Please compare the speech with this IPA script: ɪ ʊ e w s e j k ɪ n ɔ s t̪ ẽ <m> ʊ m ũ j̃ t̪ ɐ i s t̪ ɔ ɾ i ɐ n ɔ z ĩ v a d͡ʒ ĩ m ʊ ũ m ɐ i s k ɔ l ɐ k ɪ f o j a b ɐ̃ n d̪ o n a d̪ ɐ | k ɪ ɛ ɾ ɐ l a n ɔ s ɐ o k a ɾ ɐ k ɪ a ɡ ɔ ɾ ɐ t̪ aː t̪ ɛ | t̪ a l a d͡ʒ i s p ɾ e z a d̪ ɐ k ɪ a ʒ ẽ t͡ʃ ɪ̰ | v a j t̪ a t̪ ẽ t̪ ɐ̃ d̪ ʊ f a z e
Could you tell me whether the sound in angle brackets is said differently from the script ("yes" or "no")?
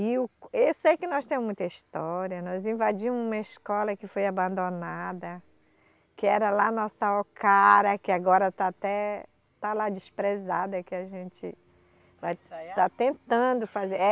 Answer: no